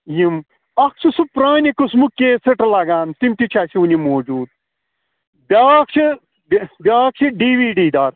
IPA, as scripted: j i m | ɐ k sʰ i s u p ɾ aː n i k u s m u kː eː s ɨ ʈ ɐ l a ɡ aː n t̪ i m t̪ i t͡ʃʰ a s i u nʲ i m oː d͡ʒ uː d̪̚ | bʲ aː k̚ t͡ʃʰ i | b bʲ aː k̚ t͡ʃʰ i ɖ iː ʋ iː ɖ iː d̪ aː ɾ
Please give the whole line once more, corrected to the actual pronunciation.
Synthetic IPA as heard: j i m | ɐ k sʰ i s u p ɾ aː n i k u s m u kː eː s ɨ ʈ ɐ l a ɡ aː n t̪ i m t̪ i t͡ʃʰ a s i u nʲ i m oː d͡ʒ uː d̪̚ | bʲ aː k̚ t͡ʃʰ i | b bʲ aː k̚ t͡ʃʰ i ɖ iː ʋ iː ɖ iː d̪ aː ɾ